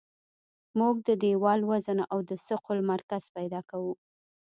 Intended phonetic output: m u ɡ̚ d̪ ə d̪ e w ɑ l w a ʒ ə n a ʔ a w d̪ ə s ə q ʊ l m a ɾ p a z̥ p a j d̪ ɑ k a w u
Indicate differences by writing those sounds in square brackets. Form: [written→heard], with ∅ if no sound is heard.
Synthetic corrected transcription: m u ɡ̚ d̪ ə d̪ e w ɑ l w a [ʒ→z] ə n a ʔ a w d̪ ə s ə q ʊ l m a ɾ [p→k] a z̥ p a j d̪ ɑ k a w u